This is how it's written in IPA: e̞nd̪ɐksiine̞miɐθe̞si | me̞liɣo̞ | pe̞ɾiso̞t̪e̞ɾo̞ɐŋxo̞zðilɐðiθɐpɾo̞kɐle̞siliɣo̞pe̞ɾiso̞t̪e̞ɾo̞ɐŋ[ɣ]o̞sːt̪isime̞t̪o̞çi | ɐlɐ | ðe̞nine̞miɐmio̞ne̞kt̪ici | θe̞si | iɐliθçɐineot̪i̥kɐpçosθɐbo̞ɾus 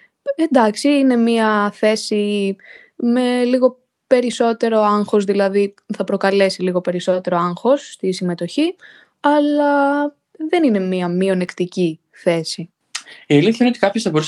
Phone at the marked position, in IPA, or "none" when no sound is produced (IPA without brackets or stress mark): x